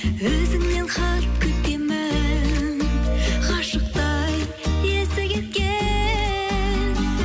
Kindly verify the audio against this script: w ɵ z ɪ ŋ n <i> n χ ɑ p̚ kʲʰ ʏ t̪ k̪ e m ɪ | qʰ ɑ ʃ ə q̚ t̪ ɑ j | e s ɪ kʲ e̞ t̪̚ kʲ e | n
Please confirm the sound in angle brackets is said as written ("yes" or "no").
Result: no